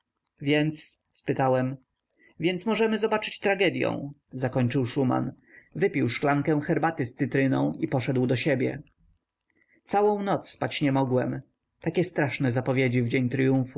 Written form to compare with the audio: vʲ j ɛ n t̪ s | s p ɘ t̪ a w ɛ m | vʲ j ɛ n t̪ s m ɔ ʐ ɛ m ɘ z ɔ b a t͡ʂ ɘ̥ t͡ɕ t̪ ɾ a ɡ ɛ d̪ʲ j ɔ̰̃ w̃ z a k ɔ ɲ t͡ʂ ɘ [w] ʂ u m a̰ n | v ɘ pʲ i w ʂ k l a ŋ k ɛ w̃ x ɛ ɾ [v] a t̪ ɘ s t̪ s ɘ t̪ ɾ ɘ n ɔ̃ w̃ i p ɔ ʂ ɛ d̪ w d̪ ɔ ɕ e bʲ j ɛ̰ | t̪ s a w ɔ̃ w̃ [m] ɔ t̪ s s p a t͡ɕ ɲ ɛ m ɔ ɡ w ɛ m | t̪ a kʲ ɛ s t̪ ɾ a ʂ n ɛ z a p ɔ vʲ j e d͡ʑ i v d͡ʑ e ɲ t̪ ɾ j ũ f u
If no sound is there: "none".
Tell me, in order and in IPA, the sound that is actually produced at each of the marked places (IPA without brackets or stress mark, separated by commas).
w, b, n